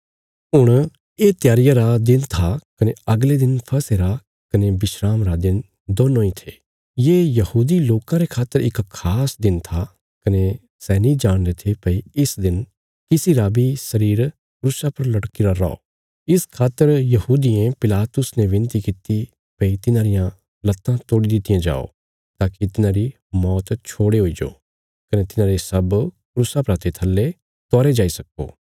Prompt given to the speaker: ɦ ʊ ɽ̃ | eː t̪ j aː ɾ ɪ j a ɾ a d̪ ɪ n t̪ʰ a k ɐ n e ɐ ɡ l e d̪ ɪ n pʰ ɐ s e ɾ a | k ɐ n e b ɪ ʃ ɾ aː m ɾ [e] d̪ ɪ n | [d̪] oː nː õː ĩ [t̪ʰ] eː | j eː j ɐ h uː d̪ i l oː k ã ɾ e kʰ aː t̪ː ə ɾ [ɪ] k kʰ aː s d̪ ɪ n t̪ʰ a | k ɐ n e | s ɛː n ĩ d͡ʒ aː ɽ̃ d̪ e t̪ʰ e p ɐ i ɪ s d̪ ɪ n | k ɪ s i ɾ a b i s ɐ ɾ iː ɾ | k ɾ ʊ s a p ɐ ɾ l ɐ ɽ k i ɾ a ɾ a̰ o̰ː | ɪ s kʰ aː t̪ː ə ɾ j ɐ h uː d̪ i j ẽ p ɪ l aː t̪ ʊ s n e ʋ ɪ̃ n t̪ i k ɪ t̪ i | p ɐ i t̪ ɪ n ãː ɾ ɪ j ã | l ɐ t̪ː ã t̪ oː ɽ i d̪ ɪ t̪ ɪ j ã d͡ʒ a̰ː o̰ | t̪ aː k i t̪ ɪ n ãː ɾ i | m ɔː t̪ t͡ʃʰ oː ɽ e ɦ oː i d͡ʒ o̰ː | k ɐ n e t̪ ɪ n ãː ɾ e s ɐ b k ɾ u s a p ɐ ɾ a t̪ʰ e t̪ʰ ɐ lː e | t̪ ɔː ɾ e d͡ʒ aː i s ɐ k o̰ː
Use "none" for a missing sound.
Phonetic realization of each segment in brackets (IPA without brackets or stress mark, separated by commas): a, d̪, t̪ʰ, ɪ